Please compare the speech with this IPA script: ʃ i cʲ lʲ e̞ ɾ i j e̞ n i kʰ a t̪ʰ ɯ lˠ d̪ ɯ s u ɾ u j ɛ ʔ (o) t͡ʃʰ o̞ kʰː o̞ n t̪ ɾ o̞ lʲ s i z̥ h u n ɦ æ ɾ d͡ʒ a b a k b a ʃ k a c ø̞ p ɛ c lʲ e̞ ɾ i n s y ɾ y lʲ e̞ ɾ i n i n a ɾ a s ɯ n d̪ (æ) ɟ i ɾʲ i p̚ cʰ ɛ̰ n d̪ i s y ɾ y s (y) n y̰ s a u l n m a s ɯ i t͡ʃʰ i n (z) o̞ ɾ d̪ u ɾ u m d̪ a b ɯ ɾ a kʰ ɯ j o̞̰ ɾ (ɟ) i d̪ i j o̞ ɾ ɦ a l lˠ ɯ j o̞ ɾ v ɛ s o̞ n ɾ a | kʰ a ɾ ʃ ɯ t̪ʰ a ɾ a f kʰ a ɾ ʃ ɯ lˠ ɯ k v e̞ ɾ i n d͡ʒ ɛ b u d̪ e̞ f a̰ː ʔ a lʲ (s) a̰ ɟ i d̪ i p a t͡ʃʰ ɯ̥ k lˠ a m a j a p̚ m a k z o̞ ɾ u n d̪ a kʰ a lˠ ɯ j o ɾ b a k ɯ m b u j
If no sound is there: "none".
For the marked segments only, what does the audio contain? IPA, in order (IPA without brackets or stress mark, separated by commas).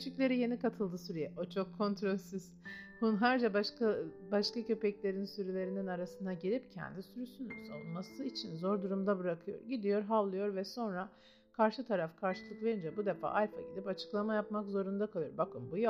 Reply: o, a, y, z, ɟ, f